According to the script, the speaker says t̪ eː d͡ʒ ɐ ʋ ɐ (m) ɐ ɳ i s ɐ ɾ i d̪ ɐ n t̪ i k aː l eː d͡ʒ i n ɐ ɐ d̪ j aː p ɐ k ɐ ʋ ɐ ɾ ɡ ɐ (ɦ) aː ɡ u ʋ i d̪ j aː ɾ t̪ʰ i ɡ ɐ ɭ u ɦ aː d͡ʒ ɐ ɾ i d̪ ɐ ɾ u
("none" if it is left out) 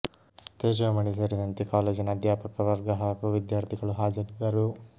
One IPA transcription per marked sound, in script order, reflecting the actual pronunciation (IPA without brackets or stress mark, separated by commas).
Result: m, ɦ